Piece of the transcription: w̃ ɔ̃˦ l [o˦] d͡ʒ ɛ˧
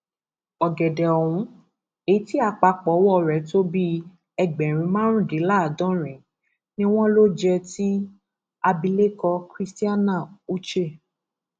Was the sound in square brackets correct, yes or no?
yes